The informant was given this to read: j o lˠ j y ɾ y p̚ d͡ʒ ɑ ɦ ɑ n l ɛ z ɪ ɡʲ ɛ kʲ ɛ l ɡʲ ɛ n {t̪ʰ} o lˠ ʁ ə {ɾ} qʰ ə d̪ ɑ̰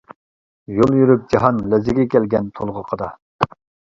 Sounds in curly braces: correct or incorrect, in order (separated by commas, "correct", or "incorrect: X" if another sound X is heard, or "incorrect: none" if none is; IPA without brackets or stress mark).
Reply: correct, incorrect: none